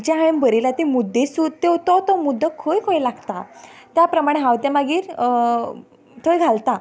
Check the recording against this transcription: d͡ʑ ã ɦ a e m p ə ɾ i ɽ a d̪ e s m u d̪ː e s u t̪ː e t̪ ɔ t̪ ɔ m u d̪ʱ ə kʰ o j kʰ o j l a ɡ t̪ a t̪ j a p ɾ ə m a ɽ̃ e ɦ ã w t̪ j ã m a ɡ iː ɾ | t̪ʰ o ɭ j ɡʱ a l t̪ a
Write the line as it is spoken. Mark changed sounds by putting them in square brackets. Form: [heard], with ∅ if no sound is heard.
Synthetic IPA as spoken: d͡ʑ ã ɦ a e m [b] ə ɾ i [l] a [t̪] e [∅] m u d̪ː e s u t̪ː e t̪ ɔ t̪ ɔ m u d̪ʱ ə kʰ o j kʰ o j l a ɡ t̪ a t̪ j a p ɾ ə m a ɽ̃ e ɦ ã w t̪ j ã m a ɡ iː ɾ | t̪ʰ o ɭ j ɡʱ a l t̪ a